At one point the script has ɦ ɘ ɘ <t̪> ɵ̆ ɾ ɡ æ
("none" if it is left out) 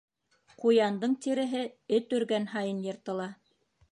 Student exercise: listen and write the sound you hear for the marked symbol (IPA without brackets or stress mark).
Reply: t̪